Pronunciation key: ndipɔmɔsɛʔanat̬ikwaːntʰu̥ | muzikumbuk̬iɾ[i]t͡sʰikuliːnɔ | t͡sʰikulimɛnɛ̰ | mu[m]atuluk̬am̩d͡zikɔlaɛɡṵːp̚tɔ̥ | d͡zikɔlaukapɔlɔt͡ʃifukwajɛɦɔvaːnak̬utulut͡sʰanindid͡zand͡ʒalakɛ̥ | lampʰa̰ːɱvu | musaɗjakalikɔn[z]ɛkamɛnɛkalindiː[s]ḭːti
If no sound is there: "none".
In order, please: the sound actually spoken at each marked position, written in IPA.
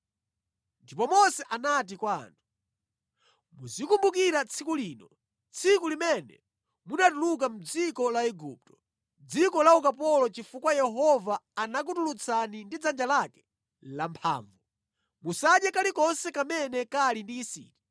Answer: a, n, s, s

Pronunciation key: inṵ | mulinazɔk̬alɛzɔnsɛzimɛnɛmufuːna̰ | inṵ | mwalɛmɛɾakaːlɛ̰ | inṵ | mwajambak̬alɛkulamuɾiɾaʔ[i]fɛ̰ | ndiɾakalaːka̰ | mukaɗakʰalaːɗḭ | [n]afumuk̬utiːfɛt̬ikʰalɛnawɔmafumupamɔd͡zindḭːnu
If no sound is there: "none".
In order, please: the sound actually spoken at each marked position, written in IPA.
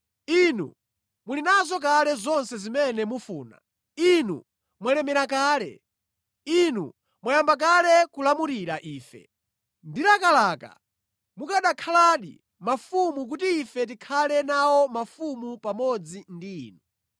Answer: iː, m

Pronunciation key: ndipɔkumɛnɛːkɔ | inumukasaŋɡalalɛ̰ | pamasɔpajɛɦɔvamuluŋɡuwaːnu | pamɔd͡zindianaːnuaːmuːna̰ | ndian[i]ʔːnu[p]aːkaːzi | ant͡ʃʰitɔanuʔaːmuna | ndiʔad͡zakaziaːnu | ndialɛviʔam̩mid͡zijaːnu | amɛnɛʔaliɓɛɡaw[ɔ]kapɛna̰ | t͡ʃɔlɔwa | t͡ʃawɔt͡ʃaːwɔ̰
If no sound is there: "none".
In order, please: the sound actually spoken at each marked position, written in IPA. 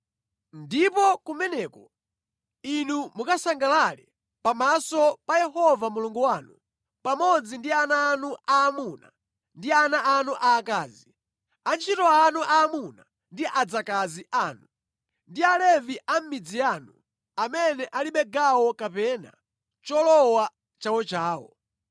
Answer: a, ʔ, ɔ

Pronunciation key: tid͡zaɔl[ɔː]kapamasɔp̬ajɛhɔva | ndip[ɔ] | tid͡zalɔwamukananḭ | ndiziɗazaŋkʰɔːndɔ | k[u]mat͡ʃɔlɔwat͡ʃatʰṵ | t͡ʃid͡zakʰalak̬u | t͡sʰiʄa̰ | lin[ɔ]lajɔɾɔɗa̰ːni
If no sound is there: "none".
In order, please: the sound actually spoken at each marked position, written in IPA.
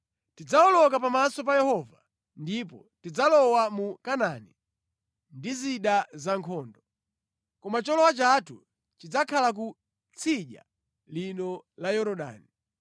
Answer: ɔ, ɔ, ɔ, ɔ

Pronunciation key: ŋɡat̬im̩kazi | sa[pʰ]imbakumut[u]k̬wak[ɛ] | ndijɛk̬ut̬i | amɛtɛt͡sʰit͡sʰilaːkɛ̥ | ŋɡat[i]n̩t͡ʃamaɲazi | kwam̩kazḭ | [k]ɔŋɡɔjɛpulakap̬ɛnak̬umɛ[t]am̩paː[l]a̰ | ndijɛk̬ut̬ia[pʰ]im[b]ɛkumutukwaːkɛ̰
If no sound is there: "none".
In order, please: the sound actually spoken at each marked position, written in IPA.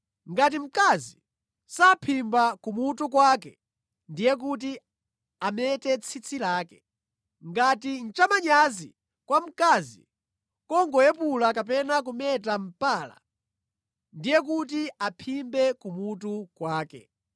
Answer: pʰ, u, ɛ, i, k, t, l, pʰ, b

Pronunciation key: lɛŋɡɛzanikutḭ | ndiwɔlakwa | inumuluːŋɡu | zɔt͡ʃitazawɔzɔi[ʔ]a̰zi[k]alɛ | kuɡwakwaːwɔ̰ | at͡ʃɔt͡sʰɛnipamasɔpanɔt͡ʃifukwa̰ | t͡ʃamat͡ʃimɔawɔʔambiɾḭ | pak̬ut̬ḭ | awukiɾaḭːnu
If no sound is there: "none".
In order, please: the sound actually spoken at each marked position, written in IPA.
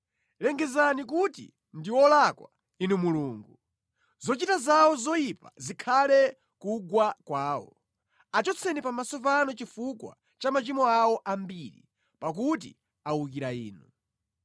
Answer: p, kʰ

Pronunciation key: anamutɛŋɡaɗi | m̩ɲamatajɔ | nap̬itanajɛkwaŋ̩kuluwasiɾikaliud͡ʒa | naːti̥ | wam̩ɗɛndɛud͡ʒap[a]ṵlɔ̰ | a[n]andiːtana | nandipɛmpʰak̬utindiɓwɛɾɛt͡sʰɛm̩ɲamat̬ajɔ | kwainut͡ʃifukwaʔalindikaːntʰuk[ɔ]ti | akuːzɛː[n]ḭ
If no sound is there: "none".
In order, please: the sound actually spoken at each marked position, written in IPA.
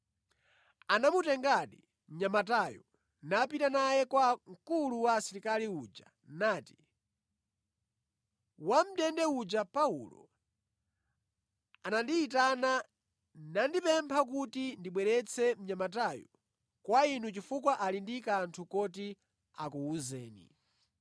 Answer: a, n, ɔ, n

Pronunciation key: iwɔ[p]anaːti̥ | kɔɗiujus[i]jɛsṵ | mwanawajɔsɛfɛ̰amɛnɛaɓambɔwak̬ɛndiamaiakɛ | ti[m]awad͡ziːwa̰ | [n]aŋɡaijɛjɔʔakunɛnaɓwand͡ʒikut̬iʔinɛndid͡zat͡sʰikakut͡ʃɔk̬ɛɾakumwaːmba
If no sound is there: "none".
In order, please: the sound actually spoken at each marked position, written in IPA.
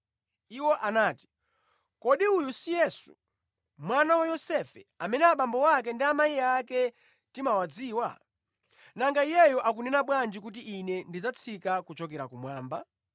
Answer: ʔ, i, m, n

